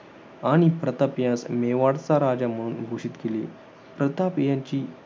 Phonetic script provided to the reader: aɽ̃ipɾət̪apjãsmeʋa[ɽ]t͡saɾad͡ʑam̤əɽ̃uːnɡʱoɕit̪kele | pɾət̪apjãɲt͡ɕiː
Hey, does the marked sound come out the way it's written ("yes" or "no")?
yes